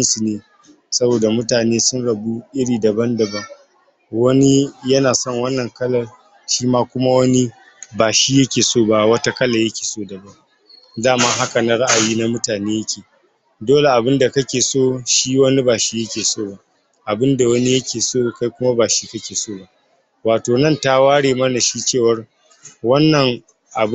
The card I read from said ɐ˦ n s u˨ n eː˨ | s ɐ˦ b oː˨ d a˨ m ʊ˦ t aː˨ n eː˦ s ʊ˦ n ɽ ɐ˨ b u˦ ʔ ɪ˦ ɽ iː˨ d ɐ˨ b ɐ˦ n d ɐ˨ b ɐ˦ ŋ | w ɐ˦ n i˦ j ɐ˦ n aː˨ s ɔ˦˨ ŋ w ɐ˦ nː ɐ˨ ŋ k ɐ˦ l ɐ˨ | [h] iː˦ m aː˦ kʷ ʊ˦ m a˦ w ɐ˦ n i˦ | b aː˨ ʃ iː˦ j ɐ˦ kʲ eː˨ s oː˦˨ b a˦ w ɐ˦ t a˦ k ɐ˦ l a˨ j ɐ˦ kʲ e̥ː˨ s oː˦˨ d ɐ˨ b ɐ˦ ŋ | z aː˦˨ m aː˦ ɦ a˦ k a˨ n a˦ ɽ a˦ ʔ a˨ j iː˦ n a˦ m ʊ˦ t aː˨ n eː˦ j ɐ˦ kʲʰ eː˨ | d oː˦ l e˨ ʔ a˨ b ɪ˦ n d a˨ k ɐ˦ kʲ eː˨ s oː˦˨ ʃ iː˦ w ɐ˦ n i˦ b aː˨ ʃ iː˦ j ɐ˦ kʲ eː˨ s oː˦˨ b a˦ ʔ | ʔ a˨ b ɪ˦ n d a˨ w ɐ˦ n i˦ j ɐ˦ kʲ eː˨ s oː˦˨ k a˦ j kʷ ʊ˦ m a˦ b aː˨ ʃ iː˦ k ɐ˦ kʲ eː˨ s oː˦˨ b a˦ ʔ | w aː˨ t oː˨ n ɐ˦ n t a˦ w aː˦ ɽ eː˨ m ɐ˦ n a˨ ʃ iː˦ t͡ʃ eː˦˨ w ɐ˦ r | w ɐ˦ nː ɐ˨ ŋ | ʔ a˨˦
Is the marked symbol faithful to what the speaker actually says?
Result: no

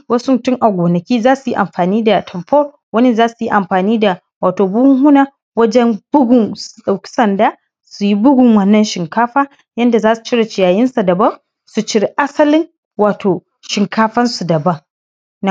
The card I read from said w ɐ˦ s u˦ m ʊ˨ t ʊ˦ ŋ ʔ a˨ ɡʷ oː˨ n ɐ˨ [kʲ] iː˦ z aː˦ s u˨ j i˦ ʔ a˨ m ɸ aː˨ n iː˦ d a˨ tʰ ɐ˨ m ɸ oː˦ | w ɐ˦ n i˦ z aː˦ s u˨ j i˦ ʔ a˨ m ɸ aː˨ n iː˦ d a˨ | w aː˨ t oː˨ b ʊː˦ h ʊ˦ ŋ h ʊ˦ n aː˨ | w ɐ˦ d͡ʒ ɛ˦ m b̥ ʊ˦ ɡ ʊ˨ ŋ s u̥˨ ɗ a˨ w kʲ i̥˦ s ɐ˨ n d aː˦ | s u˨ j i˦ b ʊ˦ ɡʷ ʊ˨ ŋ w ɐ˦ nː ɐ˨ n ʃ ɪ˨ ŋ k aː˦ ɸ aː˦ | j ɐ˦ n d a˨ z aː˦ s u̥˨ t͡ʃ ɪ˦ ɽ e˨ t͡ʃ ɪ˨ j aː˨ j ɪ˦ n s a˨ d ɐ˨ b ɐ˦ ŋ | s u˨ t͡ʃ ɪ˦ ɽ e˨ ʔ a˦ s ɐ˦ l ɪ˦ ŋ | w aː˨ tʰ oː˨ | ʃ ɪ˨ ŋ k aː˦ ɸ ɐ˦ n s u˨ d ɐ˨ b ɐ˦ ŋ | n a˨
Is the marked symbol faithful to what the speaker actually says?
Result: yes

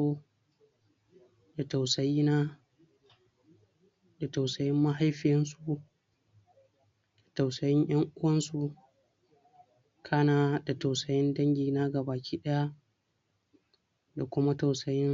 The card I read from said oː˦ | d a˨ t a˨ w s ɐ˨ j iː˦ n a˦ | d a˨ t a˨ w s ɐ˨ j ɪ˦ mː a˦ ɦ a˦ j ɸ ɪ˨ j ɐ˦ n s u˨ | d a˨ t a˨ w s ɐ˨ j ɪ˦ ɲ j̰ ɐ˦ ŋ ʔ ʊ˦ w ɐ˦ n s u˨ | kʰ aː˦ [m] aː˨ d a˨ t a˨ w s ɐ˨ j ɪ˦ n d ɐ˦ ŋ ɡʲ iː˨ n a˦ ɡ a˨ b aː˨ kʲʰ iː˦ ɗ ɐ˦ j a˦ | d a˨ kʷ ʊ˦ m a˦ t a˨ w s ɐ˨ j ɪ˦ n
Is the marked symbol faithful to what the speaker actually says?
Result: no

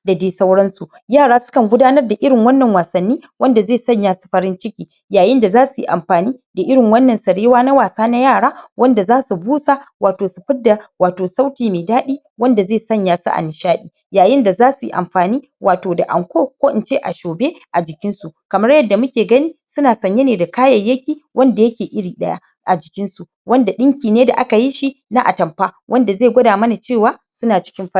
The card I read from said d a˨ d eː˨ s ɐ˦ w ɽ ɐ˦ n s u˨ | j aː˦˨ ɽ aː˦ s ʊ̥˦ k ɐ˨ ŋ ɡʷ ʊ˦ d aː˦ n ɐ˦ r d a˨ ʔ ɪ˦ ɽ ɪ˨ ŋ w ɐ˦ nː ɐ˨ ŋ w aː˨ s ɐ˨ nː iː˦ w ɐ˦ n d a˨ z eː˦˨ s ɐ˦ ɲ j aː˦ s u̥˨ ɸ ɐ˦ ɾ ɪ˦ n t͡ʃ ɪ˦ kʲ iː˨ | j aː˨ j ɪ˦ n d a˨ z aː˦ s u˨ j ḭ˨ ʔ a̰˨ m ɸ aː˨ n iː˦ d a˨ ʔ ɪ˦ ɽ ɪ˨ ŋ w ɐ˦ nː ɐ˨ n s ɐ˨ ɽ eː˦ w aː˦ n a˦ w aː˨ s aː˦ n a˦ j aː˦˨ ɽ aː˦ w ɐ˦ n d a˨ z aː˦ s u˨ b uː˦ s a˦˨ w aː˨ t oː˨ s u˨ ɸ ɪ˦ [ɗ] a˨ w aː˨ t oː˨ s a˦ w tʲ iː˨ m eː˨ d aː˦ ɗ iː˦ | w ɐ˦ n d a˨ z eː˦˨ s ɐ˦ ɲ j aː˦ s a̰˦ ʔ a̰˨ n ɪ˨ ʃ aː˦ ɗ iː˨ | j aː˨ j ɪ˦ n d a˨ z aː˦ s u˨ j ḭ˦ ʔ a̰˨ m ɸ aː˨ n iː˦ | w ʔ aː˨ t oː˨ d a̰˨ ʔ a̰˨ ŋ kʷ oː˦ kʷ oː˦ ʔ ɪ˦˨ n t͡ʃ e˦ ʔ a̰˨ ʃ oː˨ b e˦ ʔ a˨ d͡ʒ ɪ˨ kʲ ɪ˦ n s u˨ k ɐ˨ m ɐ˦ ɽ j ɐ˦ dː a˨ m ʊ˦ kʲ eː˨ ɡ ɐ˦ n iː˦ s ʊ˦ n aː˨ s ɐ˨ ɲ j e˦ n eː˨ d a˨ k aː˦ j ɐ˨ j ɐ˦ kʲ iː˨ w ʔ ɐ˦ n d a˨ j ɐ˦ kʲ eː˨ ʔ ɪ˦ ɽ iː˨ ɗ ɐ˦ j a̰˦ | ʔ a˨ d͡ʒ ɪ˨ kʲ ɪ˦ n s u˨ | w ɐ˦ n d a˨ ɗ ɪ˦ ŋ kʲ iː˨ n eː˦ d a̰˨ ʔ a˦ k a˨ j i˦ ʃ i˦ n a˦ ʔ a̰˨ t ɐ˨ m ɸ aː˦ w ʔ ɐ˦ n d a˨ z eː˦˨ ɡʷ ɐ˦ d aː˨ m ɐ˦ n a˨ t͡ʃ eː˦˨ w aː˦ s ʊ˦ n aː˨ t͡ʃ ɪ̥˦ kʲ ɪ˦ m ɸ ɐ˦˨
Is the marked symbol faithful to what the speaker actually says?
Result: no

